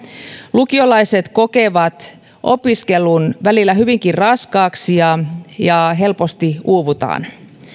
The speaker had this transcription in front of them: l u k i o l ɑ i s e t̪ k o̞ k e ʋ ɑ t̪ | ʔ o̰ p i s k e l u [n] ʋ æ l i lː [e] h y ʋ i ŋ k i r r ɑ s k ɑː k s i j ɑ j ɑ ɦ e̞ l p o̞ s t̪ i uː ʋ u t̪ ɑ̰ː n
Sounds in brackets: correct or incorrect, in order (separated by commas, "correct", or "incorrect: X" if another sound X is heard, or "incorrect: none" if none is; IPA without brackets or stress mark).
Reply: correct, incorrect: æ